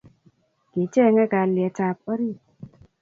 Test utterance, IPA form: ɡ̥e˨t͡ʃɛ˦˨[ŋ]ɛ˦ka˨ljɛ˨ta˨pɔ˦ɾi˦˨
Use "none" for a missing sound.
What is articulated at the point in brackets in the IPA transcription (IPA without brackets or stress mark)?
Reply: ŋ